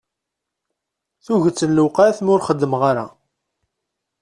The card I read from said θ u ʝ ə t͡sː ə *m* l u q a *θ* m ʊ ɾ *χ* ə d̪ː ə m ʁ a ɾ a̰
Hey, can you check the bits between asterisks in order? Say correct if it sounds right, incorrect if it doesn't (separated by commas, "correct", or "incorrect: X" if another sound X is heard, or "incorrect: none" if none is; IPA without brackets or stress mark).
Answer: incorrect: n, correct, correct